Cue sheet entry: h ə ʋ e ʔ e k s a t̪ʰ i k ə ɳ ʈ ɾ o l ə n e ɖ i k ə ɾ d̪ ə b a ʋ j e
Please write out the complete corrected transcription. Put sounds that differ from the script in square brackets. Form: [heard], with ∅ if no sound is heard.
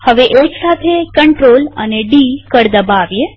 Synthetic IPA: h ə ʋ e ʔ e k s a t̪ʰ [e] k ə ɳ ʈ ɾ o l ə n e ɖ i k ə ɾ d̪ ə b a ʋ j e